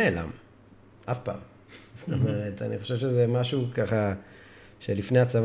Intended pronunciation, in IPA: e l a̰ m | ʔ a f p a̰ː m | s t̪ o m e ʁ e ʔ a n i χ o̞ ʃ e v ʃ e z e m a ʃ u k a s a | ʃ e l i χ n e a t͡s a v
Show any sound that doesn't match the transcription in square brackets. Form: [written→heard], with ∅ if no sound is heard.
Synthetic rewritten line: e l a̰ m | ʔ a f p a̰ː m | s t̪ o m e ʁ e [ʔ→t] a n i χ o̞ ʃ e v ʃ e z e m a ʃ u k a [s→χ] a | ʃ e l i [χ→f] n e a t͡s a v